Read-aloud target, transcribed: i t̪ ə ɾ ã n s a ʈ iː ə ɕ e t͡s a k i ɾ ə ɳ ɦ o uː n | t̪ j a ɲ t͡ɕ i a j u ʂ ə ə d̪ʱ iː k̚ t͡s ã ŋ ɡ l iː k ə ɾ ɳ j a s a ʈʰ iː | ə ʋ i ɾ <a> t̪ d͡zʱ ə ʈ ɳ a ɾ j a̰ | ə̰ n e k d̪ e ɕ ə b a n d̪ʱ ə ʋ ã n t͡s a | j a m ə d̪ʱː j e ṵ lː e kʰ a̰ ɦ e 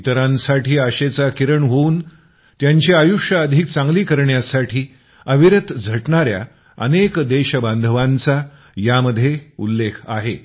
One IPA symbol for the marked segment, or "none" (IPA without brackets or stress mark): ə